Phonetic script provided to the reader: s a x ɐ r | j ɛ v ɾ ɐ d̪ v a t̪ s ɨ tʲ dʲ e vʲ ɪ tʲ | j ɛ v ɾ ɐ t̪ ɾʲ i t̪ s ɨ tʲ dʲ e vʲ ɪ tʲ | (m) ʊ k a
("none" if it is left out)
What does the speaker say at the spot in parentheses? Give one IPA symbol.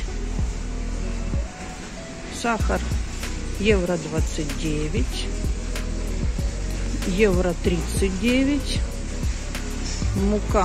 m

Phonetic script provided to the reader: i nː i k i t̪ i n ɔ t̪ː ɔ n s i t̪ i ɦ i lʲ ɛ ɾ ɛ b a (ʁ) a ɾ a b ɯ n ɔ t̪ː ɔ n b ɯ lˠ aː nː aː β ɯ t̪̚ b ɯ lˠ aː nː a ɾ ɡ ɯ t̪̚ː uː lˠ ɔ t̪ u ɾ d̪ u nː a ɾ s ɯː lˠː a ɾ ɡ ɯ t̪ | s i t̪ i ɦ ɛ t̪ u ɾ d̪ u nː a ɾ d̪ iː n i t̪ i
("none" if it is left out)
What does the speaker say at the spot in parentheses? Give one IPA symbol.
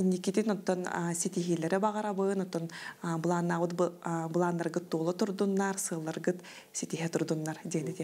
ʁ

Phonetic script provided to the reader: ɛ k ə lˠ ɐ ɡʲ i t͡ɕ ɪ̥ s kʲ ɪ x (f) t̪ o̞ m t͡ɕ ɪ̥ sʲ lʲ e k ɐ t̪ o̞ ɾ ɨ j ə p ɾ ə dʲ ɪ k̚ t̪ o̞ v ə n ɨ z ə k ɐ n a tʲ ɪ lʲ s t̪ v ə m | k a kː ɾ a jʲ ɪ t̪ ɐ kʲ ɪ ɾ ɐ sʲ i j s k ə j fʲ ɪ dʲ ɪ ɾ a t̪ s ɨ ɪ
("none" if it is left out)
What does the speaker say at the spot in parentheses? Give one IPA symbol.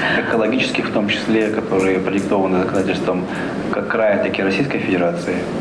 f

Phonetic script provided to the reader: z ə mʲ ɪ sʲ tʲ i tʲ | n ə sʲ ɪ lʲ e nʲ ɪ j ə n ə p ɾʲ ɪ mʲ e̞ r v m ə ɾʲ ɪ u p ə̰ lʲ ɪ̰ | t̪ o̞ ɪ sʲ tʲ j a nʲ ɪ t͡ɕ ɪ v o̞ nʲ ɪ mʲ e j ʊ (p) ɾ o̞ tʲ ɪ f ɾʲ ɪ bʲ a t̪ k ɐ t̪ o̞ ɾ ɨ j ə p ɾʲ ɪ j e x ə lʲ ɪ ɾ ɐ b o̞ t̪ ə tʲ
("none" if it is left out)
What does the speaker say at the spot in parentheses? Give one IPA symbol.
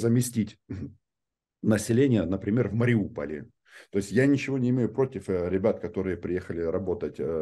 p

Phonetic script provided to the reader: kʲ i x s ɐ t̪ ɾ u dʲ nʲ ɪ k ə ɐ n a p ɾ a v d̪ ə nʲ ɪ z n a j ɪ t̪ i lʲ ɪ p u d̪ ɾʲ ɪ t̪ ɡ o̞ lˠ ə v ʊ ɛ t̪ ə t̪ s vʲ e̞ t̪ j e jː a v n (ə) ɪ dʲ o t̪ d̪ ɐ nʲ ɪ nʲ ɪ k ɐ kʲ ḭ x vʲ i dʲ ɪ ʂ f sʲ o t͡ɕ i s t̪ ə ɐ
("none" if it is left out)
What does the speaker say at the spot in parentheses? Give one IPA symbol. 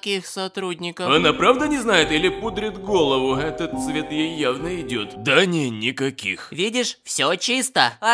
ə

